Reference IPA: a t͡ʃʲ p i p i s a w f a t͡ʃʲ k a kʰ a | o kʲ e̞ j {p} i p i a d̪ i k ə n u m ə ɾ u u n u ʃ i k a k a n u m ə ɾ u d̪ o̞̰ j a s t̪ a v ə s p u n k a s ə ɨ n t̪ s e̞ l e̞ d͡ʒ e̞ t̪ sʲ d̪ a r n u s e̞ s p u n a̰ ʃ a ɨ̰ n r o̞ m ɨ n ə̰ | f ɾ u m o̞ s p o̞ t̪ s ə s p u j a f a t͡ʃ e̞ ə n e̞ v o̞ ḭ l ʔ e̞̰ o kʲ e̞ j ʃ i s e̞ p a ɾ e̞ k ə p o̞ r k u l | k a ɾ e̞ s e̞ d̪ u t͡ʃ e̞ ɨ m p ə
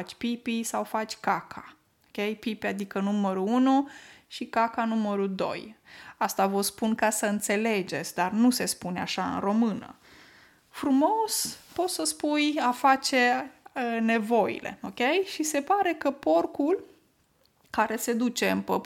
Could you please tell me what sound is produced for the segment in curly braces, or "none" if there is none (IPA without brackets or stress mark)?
p